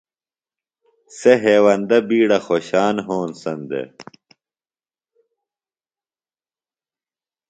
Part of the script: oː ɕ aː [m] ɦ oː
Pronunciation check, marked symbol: incorrect: n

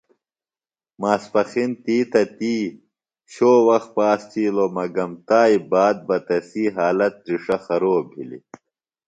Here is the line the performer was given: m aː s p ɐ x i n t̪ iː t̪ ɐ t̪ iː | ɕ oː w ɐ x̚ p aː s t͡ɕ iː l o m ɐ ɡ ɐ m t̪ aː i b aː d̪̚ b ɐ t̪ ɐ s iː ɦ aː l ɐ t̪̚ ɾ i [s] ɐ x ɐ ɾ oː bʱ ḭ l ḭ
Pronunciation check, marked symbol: incorrect: ʂ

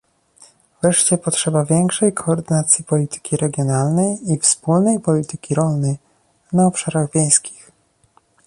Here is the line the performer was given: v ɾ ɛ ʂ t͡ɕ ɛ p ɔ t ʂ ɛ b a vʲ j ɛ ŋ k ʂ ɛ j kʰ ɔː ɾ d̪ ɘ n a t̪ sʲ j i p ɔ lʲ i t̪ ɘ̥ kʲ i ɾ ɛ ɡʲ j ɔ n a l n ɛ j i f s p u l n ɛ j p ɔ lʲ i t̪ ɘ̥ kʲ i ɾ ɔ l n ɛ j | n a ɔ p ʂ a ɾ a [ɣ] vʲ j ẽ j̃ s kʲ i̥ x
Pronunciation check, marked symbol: correct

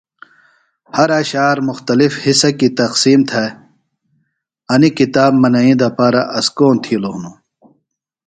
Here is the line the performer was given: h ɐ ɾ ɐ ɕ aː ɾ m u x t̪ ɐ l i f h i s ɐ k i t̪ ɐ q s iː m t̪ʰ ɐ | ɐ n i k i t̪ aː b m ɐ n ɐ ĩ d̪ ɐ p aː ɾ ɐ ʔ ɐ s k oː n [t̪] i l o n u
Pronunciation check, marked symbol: incorrect: t̪ʰ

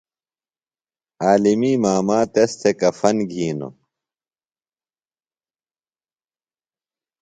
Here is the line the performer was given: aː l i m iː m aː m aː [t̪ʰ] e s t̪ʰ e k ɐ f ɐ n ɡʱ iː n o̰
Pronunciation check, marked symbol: incorrect: t̪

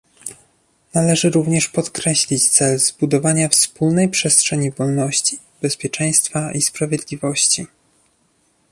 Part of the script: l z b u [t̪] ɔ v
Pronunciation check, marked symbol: incorrect: d̪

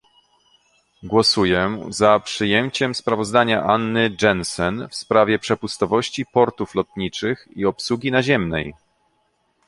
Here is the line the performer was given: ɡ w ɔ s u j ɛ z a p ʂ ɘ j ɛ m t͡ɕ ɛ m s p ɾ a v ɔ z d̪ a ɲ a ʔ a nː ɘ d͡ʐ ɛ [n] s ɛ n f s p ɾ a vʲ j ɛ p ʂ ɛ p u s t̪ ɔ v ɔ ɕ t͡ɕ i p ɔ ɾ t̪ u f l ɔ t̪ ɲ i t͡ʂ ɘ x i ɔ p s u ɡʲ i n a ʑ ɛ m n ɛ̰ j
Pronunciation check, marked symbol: correct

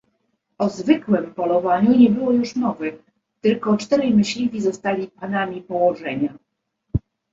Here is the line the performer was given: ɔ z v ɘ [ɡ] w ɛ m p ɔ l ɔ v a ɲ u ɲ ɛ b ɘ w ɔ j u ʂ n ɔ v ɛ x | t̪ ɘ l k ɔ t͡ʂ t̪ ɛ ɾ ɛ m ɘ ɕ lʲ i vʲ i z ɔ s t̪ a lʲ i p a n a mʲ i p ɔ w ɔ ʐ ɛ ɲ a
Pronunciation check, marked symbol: incorrect: k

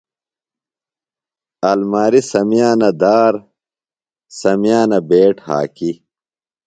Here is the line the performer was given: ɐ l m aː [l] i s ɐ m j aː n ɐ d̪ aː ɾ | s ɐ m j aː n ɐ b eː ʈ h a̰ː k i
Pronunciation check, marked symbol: incorrect: ɾ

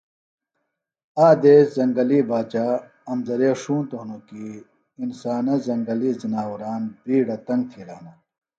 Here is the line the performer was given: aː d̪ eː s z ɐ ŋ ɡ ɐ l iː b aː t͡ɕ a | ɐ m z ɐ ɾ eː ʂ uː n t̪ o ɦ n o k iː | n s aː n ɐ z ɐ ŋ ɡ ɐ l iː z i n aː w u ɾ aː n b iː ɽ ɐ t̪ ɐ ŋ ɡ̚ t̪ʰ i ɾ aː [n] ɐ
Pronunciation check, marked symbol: correct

